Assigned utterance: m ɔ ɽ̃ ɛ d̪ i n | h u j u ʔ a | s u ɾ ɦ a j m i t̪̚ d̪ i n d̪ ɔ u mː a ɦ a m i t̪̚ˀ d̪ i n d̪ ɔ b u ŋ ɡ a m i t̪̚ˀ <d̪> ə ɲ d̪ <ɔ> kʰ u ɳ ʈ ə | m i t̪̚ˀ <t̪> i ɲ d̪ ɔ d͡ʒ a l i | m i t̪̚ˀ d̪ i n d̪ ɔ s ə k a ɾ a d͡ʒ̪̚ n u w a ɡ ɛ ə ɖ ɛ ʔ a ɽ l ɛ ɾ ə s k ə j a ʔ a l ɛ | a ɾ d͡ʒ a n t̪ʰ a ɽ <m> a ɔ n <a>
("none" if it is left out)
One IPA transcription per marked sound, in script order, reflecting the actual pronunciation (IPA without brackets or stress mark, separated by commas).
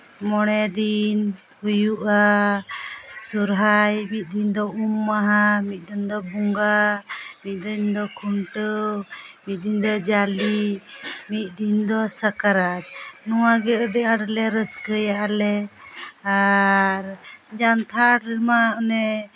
d̪, ɔ, d̪, m, ɛ